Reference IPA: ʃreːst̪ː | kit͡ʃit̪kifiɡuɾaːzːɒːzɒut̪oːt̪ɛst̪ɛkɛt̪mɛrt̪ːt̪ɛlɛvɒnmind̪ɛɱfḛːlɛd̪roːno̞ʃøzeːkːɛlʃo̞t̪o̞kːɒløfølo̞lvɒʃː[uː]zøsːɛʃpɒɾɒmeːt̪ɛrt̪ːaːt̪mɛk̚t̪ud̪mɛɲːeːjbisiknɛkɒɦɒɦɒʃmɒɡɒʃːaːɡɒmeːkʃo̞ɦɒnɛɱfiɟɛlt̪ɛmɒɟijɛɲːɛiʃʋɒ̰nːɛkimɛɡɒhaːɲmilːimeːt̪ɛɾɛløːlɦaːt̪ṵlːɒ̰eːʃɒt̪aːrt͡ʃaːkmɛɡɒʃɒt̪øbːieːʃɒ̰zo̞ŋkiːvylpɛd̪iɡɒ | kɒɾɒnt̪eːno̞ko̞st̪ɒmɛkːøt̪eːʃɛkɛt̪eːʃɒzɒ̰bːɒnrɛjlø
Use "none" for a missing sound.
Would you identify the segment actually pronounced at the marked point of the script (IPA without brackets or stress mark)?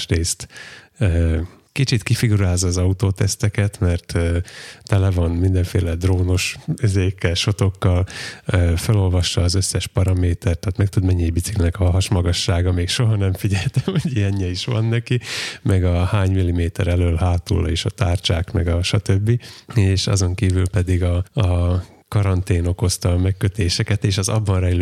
ɒː